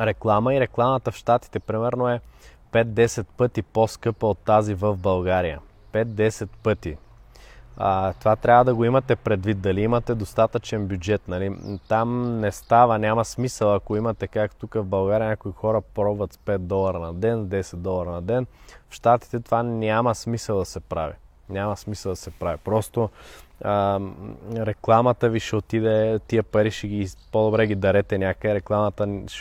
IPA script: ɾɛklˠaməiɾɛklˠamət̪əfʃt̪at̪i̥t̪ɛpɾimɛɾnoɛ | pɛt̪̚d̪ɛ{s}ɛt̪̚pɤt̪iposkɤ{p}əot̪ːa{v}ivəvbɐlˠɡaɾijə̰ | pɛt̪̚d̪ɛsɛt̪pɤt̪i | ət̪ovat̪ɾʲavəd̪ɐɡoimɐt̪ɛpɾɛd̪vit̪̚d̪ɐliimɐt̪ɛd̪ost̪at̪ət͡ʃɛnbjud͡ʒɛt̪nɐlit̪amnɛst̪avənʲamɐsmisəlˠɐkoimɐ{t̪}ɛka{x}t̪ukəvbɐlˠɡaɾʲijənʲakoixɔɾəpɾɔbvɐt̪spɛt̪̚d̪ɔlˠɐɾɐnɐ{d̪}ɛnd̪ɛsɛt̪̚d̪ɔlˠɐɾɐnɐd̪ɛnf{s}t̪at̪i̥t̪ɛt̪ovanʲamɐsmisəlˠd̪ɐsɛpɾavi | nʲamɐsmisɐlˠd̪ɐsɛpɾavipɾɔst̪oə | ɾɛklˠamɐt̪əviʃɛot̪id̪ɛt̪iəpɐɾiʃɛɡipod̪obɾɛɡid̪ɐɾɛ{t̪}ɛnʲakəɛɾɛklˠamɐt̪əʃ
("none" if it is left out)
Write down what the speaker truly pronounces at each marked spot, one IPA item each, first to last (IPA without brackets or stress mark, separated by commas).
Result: s, p, z, t̪, k, d̪, ʃ, t̪